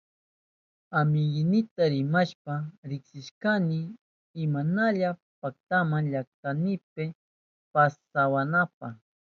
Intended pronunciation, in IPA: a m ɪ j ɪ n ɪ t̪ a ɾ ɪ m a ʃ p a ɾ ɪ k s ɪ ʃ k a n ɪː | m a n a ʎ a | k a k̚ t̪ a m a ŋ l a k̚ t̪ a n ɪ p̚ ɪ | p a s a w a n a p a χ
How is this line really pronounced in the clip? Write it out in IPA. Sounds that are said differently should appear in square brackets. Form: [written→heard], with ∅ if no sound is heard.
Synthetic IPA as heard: a m ɪ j ɪ n ɪ t̪ a ɾ ɪ m a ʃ p a ɾ ɪ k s ɪ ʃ k a n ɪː | m a n a ʎ a | [k→p] a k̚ t̪ a m a ŋ [l→ʎ] a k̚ t̪ a n ɪ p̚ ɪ | p a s a w a n a p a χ